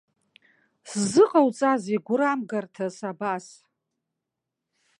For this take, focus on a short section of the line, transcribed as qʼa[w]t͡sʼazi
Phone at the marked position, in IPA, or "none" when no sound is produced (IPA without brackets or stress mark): w